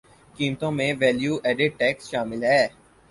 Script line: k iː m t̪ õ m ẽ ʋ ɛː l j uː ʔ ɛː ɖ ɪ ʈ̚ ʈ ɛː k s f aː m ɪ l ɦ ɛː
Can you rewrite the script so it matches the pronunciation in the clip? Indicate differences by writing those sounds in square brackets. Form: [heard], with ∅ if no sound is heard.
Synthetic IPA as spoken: k iː m t̪ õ m ẽ ʋ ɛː l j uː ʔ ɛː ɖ ɪ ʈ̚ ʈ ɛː k s [ʃ] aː m ɪ l ɦ ɛː